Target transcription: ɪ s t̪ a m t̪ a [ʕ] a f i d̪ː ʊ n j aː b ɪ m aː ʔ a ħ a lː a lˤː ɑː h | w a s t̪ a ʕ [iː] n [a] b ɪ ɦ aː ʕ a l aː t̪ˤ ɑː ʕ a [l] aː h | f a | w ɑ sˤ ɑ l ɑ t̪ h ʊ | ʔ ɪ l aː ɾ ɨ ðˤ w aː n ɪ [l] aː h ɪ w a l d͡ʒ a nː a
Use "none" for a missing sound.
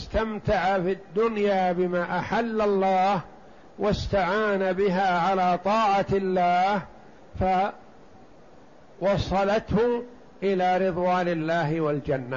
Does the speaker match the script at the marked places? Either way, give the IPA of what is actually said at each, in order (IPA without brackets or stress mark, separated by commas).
ʕ, aː, a, lː, lː